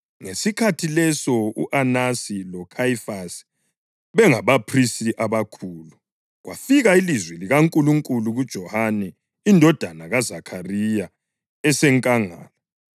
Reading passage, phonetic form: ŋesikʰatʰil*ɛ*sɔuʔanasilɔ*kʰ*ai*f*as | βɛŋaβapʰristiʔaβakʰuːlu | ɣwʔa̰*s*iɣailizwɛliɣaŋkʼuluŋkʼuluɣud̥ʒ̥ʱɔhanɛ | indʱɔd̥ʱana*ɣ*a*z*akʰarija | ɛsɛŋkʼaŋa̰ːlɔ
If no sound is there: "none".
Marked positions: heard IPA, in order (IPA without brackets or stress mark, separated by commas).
ɛ, kʰ, f, f, ɣ, z